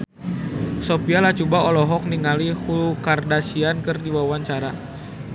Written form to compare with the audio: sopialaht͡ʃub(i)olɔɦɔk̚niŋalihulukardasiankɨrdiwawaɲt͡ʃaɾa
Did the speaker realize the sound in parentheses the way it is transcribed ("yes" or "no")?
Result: no